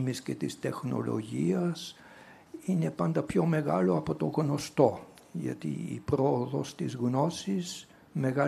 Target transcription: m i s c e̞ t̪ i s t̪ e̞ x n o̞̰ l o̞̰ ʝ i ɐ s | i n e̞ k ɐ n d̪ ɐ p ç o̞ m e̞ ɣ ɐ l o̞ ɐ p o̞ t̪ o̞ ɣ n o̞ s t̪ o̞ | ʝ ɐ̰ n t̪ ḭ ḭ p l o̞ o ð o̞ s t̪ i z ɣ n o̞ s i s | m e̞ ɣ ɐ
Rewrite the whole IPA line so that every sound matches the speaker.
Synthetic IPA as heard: m i s c e̞ t̪ i s t̪ e̞ x n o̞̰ l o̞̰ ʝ i ɐ s | i n e̞ p ɐ n d̪ ɐ p ç o̞ m e̞ ɣ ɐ l o̞ ɐ p o̞ t̪ o̞ ɣ n o̞ s t̪ o̞ | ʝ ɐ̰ t̪ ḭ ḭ p ɾ o̞ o ð o̞ s t̪ i z ɣ n o̞ s i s | m e̞ ɣ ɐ